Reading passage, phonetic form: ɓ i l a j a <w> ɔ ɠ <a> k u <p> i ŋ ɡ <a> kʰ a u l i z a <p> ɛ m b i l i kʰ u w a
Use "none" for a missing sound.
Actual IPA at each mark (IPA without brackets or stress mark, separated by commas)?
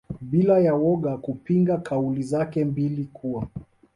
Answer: w, a, p, a, k